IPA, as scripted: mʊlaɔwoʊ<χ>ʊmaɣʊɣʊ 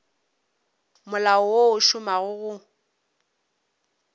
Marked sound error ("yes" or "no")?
yes